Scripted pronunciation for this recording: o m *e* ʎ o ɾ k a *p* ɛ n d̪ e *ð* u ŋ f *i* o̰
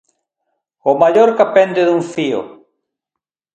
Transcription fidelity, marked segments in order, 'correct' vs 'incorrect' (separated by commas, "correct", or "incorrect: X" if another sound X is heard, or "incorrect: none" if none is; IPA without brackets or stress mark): incorrect: a, correct, correct, correct